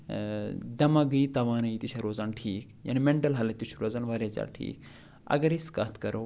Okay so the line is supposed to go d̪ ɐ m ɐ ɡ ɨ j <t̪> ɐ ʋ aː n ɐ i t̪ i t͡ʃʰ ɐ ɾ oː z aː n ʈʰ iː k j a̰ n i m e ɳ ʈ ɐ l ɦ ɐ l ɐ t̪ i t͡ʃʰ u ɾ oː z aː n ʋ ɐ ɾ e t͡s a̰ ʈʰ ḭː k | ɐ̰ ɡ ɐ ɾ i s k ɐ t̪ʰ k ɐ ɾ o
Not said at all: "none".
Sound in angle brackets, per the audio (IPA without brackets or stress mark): t̪